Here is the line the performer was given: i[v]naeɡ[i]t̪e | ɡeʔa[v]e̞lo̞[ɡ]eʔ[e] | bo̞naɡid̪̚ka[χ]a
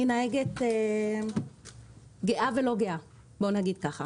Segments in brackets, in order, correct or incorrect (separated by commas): incorrect, incorrect, correct, correct, incorrect, correct